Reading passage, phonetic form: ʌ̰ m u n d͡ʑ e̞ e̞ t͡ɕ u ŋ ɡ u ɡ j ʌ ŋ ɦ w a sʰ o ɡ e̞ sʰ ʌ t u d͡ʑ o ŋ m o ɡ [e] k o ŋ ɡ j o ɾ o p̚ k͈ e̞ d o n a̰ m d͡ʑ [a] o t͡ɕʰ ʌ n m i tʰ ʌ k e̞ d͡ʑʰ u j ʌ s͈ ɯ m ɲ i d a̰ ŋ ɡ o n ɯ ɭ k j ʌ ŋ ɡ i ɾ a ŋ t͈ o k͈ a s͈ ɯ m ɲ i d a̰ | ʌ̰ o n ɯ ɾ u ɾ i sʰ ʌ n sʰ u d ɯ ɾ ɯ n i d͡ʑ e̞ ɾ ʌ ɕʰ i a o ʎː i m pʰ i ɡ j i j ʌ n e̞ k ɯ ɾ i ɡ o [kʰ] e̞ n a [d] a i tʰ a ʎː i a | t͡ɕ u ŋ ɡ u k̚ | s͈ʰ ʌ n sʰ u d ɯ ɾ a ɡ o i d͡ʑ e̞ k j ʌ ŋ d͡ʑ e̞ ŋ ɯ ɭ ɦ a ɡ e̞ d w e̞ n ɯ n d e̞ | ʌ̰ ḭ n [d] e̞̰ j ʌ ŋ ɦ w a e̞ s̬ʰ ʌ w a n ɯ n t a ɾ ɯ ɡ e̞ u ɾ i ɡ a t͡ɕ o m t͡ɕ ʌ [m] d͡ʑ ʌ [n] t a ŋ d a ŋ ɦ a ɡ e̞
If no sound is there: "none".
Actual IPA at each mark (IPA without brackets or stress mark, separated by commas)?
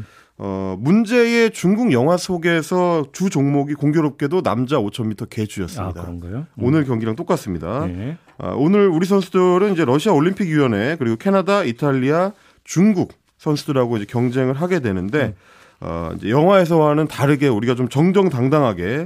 i, a, kʰ, d, d͡ʑ, ŋ, ŋ